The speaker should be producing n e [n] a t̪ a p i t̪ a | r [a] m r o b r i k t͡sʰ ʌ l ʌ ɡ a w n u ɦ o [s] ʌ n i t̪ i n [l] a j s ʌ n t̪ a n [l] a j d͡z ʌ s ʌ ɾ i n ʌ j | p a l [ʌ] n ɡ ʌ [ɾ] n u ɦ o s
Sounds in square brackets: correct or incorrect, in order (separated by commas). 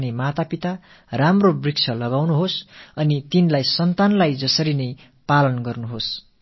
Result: incorrect, correct, correct, correct, correct, correct, incorrect